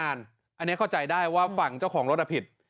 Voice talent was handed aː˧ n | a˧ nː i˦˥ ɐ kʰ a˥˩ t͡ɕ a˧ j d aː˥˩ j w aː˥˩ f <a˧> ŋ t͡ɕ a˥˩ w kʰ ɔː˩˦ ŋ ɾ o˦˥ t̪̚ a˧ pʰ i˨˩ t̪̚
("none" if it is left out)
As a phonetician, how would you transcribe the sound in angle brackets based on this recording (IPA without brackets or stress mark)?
a˨˩